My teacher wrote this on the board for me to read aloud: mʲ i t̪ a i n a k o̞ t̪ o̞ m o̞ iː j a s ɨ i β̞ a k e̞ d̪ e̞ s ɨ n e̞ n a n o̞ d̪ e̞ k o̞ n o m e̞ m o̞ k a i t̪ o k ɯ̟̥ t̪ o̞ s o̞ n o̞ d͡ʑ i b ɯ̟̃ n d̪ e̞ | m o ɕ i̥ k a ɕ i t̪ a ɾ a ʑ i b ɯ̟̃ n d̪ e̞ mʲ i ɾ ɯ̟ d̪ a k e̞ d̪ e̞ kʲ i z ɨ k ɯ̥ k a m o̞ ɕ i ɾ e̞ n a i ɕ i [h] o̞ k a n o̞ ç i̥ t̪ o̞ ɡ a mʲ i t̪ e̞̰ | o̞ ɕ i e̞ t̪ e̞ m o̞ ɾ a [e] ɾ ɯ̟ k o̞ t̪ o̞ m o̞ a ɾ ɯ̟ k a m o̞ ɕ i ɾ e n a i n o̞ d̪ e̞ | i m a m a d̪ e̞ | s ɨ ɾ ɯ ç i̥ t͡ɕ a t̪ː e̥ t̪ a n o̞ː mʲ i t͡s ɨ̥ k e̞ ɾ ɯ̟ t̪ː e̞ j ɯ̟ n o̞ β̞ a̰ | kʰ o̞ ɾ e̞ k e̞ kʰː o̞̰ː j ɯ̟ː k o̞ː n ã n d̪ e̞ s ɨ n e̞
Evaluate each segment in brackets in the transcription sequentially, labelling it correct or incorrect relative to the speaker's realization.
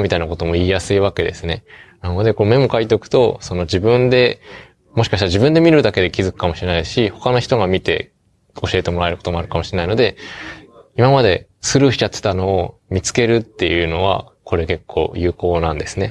correct, correct

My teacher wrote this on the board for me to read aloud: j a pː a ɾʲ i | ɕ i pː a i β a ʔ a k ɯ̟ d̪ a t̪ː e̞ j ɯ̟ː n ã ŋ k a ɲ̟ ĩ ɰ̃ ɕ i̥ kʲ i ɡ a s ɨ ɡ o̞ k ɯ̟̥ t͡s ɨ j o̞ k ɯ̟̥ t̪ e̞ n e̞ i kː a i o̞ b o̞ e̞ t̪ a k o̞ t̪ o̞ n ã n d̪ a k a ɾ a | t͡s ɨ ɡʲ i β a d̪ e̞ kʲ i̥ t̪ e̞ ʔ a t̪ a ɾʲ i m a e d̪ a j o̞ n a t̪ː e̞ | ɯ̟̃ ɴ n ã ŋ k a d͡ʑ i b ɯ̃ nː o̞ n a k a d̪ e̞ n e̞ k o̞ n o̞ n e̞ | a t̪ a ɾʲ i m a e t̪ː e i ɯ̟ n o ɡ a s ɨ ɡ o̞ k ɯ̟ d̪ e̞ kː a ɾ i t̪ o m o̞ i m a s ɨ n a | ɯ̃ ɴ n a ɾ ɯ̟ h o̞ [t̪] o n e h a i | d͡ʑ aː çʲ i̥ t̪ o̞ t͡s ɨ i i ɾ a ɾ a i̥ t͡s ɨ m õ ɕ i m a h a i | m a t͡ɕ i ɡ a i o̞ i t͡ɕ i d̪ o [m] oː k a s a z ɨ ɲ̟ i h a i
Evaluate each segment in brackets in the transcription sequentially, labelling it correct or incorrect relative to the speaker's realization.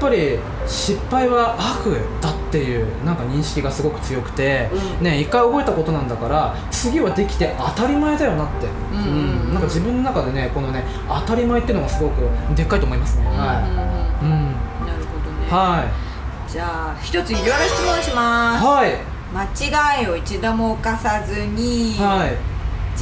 incorrect: d̪, correct

